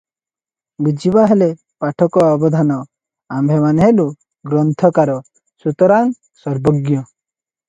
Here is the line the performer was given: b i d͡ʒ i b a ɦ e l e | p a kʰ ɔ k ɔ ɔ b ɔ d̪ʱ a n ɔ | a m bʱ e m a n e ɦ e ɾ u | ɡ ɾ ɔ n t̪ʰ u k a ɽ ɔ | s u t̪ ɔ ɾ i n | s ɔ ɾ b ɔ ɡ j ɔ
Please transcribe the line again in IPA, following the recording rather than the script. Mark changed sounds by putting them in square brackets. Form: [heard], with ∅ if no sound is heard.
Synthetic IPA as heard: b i d͡ʒ i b a ɦ e l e | p a [ʈʰ] ɔ k ɔ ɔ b ɔ d̪ʱ a n ɔ | a m bʱ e m a n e ɦ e [l] u | ɡ ɾ ɔ n t̪ʰ [ɔ] k a [ɾ] ɔ | s u t̪ ɔ ɾ [a] n | s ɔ ɾ b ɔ ɡ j ɔ